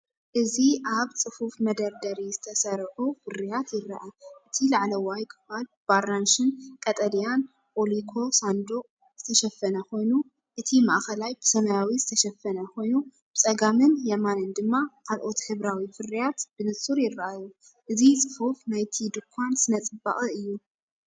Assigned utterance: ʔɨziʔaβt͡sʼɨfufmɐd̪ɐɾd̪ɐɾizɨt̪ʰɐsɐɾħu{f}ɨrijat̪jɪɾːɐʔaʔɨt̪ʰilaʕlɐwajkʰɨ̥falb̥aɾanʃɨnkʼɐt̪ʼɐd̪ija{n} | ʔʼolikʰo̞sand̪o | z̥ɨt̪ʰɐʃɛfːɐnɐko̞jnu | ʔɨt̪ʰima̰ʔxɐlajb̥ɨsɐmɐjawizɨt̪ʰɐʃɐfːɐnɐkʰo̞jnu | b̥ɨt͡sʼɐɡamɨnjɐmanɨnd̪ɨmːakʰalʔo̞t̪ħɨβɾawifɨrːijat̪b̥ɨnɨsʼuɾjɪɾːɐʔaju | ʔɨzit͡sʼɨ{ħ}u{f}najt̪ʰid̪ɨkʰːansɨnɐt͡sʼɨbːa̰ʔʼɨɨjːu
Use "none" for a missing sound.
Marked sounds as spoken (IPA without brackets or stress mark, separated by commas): f, n, f, f